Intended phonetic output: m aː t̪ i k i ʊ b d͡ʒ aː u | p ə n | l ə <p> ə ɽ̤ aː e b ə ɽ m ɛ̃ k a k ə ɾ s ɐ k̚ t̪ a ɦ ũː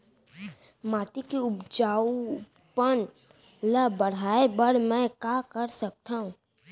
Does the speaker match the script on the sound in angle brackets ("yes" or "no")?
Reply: no